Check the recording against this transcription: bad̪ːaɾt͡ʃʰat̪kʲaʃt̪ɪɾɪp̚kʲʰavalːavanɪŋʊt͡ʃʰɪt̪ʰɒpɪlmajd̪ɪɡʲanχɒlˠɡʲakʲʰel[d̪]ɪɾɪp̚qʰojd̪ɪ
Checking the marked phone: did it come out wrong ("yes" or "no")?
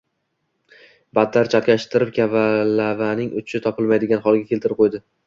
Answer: yes